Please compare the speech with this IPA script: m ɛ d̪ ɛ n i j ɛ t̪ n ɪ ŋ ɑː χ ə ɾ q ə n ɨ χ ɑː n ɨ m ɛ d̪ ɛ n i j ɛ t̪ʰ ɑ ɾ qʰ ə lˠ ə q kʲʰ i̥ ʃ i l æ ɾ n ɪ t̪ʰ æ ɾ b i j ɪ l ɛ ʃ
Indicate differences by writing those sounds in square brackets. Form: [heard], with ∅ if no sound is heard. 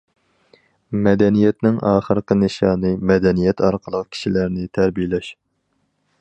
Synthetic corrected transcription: m ɛ d̪ ɛ n i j ɛ t̪ n ɪ ŋ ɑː χ ə ɾ q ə n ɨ [ʃ] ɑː n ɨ m ɛ d̪ ɛ n i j ɛ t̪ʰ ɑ ɾ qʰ ə lˠ ə q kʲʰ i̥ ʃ i l æ ɾ n ɪ t̪ʰ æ ɾ b i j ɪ l ɛ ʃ

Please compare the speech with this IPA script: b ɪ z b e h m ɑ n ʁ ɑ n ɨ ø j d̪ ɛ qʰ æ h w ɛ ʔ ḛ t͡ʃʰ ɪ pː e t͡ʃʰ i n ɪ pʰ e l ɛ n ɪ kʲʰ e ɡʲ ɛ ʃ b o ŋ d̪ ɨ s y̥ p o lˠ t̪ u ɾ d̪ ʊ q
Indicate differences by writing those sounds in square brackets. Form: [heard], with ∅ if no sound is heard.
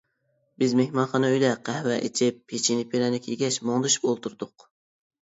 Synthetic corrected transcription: b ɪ z [m] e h m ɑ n [χ] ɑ n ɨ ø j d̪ ɛ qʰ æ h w ɛ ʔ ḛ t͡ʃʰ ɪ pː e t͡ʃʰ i n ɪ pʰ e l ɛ n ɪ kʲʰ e ɡʲ ɛ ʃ [m] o ŋ d̪ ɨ [ʃ] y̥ p o lˠ t̪ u ɾ d̪ ʊ q

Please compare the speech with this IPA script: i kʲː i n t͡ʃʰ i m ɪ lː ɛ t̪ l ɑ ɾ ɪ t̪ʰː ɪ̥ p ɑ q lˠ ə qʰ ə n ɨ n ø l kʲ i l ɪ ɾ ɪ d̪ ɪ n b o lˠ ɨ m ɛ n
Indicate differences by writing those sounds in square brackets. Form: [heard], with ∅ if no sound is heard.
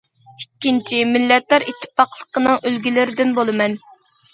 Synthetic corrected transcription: i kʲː i n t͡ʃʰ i m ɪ lː ɛ t̪ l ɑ ɾ [i] t̪ʰː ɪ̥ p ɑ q lˠ ə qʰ ə n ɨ [ŋ] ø l [ɡʲ] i l ɪ ɾ ɪ d̪ ɪ n b o lˠ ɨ m ɛ n

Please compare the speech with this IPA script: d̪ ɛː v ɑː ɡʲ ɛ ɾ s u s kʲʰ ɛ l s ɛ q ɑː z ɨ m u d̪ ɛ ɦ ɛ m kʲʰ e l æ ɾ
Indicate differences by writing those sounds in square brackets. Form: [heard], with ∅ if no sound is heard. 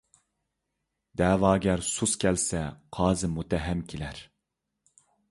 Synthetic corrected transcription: d̪ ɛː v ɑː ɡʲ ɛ ɾ s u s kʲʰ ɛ l s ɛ [qʰ] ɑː z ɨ m u [t̪] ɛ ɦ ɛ m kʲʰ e l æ ɾ

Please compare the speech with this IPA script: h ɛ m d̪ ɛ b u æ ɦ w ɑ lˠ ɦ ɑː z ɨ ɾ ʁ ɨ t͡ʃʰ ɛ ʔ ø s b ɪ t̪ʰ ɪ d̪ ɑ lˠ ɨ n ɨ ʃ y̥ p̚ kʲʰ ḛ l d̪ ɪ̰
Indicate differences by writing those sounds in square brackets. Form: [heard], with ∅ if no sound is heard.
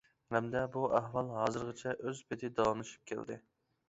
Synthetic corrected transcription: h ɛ m d̪ ɛ b u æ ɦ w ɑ lˠ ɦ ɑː z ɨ ɾ ʁ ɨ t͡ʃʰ ɛ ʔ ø [z] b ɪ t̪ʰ ɪ d̪ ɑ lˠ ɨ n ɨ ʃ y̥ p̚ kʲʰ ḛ l d̪ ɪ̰

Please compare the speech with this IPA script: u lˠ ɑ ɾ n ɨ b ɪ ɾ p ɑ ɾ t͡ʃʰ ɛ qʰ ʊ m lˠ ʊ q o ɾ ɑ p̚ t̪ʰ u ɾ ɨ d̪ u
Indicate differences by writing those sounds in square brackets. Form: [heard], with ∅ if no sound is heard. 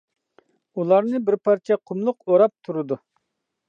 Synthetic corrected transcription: u lˠ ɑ ɾ n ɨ b ɪ ɾ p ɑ ɾ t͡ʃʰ ɛ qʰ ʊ m lˠ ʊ q o ɾ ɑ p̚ t̪ʰ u ɾ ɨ d̪ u

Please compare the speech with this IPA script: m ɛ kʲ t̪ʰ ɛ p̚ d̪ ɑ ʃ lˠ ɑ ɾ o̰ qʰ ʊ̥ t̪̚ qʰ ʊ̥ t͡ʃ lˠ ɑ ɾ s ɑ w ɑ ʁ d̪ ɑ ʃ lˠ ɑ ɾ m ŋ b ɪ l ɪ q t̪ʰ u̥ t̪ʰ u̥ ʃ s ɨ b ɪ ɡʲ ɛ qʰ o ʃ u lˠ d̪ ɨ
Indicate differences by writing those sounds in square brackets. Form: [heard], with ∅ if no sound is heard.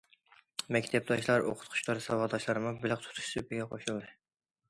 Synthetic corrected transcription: m ɛ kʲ t̪ʰ ɛ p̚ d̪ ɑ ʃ lˠ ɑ ɾ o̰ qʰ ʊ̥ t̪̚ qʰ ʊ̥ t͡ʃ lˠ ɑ ɾ s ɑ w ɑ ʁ d̪ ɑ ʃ lˠ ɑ ɾ m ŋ b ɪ l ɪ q t̪ʰ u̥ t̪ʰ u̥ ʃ s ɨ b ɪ ɡʲ ɛ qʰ o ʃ u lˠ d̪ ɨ

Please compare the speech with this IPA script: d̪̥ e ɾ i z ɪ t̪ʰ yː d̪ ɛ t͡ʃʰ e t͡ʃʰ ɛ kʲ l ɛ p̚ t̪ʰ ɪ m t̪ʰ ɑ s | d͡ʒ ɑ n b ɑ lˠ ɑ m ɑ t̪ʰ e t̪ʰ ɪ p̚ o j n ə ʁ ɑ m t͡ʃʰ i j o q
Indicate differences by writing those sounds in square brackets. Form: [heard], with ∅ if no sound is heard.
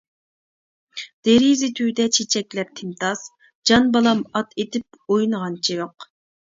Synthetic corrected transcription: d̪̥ e ɾ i z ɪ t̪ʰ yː d̪ ɛ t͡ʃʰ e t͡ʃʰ ɛ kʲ l ɛ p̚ t̪ʰ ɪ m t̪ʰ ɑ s | d͡ʒ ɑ n b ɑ lˠ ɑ m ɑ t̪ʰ e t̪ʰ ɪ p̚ o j n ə ʁ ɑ [n] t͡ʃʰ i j o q

